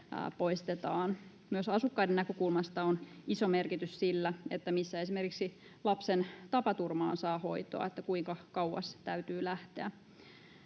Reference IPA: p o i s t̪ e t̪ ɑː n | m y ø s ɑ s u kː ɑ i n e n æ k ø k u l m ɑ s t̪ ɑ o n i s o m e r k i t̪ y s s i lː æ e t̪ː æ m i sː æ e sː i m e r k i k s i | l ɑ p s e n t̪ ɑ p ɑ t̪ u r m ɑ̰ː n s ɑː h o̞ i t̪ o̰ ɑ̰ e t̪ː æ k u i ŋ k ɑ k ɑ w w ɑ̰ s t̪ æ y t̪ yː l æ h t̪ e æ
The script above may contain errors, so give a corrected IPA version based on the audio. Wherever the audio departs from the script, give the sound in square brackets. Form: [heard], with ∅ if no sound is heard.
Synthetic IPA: p o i s t̪ e t̪ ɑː n | m y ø s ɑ s u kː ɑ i [d] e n æ k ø k u l m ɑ s t̪ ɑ o n i s o m e r k i t̪ y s s i lː æ e t̪ː æ m i sː æ e [s] i m e r k i k s i | l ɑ p s e n t̪ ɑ p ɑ t̪ u r m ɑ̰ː n s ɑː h o̞ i t̪ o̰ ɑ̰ e t̪ː æ k u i ŋ k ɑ k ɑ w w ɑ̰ s t̪ æ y t̪ yː l æ h t̪ e æ

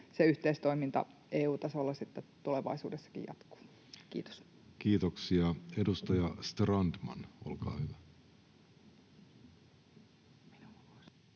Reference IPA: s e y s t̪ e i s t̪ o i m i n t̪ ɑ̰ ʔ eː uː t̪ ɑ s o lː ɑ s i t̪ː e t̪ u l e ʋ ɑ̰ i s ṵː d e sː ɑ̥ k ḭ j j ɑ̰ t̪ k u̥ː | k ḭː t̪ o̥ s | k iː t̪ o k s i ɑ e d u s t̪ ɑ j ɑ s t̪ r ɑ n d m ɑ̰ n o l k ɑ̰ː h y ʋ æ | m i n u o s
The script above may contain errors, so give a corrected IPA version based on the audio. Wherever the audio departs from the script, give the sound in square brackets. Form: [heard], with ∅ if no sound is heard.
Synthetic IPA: s e y [h] t̪ e i s t̪ o i m i n t̪ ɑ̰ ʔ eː uː t̪ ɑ s o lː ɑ s i t̪ː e t̪ u l e ʋ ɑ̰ i s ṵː d e sː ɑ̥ k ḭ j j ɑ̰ t̪ k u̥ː | k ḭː t̪ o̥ s | k iː t̪ o k s i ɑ e d u s t̪ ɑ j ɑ s t̪ r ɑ n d m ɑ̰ n o l k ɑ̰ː h y ʋ æ | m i n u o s

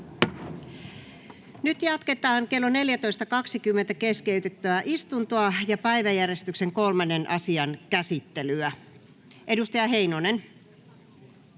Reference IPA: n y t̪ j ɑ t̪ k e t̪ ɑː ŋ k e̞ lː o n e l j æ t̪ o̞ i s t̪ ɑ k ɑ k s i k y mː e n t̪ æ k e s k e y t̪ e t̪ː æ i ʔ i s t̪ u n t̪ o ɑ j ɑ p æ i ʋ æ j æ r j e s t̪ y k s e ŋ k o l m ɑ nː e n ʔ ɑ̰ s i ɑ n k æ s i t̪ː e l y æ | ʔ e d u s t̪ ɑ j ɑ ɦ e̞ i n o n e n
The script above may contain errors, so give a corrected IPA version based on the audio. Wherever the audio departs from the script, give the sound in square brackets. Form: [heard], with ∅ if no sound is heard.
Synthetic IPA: n y t̪ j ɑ t̪ k e t̪ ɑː ŋ k e̞ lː o n e l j æ t̪ o̞ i s t̪ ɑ k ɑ k s i k y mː e n t̪ æ k e s k e y t̪ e t̪ː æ [æ] ʔ i s t̪ u n t̪ o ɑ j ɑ p æ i ʋ æ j æ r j e s t̪ y k s e ŋ k o l m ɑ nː e n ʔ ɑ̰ s i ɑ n k æ s i t̪ː e l y æ | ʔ e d u s t̪ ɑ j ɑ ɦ e̞ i n o n e n

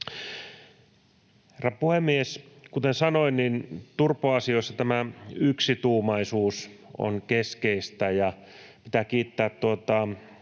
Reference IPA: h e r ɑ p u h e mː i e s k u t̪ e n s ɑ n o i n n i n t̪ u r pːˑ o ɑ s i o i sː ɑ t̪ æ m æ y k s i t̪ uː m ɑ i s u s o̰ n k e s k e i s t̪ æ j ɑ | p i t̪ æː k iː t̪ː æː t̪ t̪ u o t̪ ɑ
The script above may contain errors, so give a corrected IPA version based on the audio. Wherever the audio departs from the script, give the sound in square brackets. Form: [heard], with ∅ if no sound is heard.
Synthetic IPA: h e r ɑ p u h e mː i e s k u t̪ e n s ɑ n o i n n i n t̪ u r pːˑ o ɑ s i o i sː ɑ t̪ æ m æ y k s i t̪ uː m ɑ i s [uː] s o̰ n k e s k e i s t̪ æ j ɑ | p i t̪ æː k iː t̪ː æː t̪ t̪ u o t̪ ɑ

